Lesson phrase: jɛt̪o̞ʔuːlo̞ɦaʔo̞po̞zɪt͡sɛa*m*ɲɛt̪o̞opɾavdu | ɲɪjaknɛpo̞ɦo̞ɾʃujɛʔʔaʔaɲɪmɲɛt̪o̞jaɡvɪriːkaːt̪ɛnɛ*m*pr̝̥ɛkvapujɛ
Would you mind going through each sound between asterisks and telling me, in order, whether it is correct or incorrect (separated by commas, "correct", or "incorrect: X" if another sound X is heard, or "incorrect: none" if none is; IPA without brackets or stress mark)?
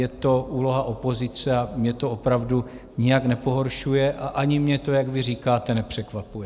correct, incorrect: none